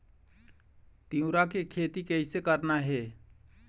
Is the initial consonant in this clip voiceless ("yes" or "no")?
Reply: yes